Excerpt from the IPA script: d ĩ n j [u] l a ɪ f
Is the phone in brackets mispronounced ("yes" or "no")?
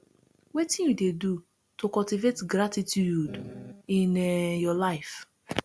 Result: yes